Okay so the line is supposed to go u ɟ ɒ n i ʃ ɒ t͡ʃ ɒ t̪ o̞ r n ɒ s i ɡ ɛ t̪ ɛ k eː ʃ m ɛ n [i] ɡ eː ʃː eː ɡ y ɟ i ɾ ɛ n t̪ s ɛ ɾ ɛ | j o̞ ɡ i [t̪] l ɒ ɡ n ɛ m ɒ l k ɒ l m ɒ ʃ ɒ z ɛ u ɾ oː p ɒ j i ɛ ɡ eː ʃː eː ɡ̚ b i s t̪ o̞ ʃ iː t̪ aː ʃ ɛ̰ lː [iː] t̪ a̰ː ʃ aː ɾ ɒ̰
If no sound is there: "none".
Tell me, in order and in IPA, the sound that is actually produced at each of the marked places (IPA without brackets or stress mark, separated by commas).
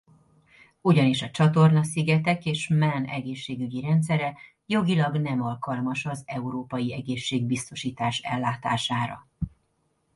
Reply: ɛ, none, aː